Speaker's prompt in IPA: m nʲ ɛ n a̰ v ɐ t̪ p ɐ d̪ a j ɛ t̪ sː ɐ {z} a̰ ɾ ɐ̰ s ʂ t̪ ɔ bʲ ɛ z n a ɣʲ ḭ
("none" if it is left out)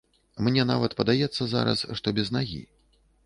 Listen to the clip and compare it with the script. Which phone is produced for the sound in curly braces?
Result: z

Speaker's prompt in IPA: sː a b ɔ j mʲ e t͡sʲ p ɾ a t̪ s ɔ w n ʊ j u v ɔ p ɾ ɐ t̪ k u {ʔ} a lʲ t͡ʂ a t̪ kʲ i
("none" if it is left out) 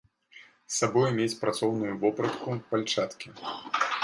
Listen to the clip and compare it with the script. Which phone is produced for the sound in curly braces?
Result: p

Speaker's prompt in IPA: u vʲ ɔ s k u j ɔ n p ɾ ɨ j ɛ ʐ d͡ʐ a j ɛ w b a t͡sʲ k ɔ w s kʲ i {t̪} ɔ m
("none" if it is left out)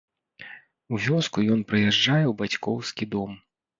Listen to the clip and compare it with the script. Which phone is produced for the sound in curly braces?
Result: d̪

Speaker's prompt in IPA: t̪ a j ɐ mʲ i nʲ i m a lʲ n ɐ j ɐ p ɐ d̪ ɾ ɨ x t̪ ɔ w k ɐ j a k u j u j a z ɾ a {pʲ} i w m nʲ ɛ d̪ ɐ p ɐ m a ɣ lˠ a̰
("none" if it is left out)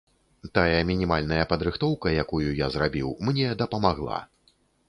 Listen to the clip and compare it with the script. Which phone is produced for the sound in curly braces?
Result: bʲ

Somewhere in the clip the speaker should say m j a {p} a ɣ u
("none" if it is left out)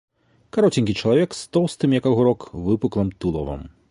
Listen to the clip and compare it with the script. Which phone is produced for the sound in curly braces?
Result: k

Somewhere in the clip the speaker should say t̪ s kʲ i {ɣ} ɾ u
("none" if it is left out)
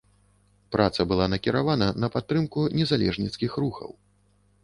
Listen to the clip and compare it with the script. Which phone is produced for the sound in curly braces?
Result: x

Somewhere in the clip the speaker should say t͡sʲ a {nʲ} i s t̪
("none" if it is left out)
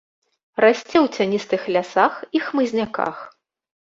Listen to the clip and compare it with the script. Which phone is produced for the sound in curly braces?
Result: nʲ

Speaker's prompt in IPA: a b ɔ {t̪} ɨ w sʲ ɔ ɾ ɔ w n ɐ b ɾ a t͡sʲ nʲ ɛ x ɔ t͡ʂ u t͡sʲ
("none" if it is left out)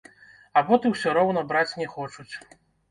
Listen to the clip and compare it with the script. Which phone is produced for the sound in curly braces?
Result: t̪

